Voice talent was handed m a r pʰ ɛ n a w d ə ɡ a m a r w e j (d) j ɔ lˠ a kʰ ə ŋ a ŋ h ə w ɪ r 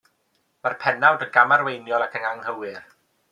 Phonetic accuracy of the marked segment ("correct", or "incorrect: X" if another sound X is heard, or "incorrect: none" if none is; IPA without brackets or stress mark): incorrect: n